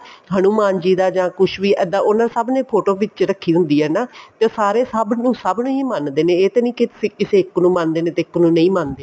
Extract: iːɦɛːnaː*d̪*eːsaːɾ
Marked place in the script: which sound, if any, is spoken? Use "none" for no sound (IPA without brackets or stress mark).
t̪